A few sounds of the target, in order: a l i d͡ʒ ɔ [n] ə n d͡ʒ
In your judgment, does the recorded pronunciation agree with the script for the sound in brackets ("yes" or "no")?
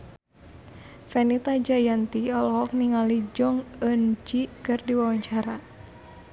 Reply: no